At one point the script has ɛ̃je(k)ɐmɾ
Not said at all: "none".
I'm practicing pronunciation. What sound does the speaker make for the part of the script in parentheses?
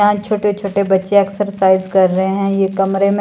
k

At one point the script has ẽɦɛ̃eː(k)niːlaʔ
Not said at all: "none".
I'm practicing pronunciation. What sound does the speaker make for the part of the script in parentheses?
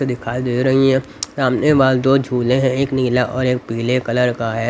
k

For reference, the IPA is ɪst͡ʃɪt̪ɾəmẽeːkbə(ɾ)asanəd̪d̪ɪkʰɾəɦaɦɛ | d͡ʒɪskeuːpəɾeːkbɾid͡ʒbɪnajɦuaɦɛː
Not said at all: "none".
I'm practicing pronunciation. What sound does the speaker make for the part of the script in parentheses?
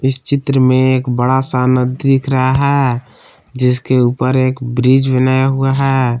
ɽ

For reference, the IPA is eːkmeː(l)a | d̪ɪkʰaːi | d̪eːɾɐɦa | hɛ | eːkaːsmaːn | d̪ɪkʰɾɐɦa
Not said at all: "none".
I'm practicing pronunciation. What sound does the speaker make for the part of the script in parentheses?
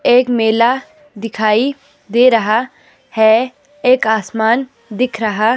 l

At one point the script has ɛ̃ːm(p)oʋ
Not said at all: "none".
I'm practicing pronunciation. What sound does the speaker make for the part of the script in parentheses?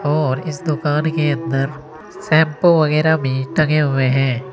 p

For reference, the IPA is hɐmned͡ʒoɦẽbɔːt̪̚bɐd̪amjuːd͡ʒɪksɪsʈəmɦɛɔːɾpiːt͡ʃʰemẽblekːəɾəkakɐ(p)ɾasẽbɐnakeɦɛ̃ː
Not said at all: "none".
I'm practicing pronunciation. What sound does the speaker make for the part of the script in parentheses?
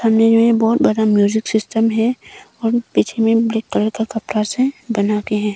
p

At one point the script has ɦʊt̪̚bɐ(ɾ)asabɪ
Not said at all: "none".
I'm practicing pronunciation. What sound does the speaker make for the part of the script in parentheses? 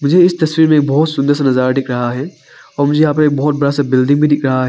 ɽ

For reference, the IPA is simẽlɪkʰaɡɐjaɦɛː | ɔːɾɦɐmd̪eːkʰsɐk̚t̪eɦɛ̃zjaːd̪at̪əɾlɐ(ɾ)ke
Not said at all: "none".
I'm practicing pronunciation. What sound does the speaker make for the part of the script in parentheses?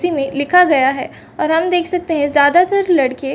ɽ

